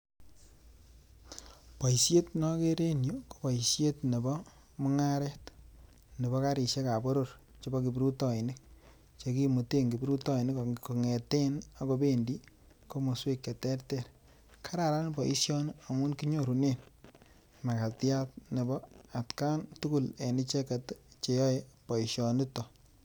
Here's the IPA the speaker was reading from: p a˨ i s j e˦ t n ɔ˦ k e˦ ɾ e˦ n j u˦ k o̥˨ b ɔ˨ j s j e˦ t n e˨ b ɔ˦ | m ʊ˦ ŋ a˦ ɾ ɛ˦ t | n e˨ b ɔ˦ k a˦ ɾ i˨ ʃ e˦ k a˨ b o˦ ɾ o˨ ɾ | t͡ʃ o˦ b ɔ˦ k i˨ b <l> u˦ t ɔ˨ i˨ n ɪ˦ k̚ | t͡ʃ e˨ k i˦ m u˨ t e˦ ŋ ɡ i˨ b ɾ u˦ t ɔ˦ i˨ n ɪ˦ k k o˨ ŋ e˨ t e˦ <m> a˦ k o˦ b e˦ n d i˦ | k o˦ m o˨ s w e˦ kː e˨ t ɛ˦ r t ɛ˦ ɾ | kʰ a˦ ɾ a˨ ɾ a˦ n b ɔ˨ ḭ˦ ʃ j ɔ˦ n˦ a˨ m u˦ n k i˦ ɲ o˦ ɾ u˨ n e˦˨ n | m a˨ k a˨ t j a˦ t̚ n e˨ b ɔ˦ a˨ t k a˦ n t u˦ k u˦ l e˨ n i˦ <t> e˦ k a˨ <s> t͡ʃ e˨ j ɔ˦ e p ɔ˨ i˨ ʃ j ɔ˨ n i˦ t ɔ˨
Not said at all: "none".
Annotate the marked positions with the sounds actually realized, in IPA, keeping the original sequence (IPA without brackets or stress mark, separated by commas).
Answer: ɾ, n, t͡ʃ, t